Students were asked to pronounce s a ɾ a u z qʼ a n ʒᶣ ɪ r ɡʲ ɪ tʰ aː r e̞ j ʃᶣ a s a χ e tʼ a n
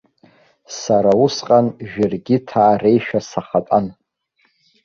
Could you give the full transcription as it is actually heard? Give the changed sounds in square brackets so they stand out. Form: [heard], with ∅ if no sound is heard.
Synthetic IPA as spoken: s a ɾ a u [s] qʼ a n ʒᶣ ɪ r ɡʲ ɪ tʰ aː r e̞ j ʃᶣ a s a χ [a] tʼ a n